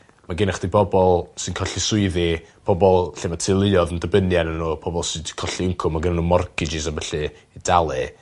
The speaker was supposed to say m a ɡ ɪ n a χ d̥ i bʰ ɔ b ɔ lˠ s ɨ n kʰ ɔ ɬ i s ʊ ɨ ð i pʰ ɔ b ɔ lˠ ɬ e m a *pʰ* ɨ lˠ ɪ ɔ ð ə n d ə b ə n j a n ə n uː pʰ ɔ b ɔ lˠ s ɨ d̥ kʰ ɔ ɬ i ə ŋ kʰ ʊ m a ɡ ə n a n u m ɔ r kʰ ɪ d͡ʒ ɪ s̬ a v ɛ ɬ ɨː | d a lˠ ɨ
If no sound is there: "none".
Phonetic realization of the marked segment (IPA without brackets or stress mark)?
tʰ